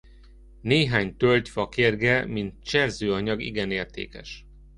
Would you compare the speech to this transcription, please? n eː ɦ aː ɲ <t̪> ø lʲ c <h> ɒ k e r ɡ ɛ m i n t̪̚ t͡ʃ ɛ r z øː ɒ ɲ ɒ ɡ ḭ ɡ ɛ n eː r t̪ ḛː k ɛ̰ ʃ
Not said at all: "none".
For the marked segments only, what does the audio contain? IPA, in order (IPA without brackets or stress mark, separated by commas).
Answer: t̪, f